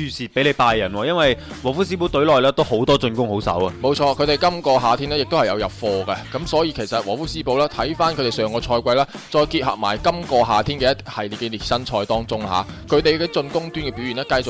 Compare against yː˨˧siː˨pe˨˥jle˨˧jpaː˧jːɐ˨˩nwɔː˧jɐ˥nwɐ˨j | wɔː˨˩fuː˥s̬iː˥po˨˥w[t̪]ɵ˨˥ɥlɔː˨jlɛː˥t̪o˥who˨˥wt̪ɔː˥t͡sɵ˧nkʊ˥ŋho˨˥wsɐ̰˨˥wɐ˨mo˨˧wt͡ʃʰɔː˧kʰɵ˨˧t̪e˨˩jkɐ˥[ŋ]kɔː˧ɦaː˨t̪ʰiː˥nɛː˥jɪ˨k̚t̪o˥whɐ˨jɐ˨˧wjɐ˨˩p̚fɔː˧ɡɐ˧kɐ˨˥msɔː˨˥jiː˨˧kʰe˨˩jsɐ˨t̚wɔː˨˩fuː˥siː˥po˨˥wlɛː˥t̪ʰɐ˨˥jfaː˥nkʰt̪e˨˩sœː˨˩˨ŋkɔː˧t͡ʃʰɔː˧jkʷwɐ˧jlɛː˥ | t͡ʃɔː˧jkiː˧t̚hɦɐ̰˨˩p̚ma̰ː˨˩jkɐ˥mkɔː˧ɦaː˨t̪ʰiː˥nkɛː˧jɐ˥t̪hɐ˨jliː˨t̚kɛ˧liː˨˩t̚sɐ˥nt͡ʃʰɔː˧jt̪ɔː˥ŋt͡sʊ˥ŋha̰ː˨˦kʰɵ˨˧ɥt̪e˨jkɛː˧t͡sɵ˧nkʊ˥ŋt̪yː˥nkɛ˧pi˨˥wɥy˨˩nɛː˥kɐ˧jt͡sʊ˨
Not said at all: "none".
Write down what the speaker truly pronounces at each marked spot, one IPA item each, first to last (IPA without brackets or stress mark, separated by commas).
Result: t̪, m